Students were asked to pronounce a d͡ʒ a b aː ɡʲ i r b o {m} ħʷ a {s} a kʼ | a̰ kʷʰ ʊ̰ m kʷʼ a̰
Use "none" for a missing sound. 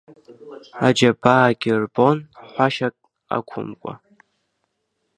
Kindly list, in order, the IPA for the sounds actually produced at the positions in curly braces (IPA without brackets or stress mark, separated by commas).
n, ʃ